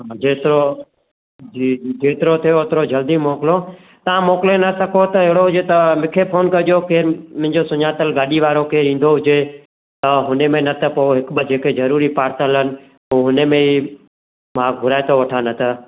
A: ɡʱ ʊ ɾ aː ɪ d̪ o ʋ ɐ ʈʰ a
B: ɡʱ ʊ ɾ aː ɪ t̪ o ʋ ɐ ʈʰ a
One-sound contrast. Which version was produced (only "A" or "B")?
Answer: B